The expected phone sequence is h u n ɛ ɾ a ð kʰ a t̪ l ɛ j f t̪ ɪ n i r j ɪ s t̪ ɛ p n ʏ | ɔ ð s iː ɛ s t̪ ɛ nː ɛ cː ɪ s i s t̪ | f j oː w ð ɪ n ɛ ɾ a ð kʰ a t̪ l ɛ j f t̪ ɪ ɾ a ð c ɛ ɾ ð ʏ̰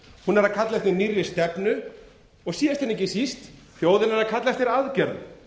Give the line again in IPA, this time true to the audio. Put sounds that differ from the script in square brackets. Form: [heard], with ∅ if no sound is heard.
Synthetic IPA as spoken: h u n ɛ ɾ a ð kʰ a t̪ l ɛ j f t̪ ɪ n i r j ɪ s t̪ ɛ p n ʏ | ɔ [ɣ] s iː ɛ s t̪ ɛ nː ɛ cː ɪ s i s t̪ | f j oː w ð ɪ n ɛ ɾ a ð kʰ a t̪ l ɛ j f t̪ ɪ ɾ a ð c ɛ ɾ ð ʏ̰